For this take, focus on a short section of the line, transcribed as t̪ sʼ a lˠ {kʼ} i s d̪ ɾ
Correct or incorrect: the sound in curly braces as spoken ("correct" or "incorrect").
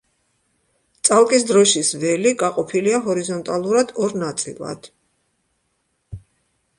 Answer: correct